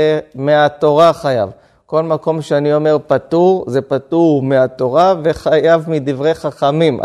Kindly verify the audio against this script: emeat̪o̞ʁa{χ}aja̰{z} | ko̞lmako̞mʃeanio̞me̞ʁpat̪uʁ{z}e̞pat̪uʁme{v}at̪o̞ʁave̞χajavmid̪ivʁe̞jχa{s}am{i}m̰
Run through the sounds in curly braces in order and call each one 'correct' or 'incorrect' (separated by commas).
correct, incorrect, correct, incorrect, incorrect, correct